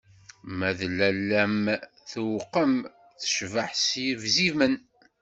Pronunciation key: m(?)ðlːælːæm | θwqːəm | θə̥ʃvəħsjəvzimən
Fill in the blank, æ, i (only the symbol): æ